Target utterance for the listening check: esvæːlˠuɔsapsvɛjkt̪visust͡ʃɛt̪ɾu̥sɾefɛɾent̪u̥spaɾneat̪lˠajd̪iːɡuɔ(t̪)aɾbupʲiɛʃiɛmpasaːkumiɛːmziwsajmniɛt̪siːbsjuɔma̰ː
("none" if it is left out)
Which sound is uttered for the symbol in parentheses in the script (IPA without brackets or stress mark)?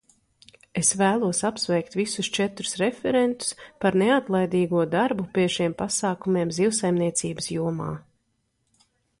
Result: d̪